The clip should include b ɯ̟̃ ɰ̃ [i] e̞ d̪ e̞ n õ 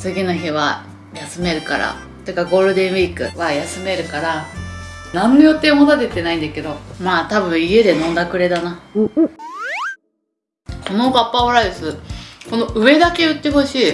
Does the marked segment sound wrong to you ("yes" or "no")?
no